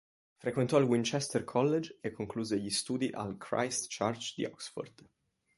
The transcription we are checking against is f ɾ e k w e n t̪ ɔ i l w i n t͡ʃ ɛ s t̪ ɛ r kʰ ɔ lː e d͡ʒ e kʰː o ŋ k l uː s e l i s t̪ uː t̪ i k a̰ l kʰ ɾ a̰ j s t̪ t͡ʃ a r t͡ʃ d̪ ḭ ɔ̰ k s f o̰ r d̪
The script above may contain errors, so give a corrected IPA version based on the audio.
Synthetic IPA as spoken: f ɾ e k w e n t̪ ɔ i l w i n t͡ʃ ɛ s t̪ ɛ r kʰ ɔ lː e d͡ʒ e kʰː o ŋ k l uː z e ʎ i s t̪ uː d̪ i ʔ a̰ l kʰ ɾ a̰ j s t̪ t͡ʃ a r t͡ʃ d̪ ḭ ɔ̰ k s f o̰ r d̪